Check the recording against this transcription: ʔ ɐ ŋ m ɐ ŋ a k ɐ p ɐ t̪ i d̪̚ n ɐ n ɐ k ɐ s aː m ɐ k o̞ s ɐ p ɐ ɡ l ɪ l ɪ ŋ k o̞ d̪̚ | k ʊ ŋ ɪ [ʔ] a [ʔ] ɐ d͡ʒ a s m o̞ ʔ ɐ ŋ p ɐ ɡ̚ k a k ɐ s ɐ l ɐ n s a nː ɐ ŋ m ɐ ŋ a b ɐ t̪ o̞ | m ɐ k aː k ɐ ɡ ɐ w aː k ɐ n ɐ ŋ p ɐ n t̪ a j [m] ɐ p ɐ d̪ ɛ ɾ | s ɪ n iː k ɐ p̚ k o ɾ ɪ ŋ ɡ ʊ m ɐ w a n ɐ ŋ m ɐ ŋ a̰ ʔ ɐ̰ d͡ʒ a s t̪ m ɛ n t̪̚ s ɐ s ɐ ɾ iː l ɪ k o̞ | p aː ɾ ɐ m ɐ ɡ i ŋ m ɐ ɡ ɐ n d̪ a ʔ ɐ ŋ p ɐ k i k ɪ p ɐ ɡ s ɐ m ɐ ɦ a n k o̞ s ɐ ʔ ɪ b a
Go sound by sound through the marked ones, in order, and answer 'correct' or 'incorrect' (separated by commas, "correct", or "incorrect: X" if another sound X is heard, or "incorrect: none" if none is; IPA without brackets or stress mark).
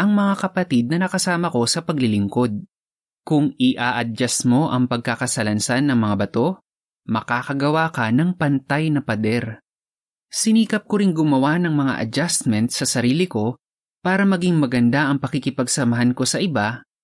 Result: correct, correct, incorrect: n